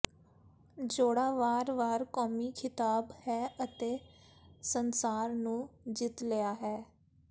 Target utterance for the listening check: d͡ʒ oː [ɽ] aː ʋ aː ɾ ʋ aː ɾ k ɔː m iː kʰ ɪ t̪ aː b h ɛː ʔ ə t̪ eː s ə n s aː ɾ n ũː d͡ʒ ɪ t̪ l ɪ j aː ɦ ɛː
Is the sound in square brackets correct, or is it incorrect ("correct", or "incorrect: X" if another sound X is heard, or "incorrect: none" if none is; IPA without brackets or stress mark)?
correct